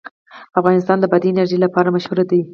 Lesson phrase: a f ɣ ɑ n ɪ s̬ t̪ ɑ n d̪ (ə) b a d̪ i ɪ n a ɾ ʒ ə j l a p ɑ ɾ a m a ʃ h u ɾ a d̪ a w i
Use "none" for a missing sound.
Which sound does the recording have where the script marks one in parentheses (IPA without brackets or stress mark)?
ə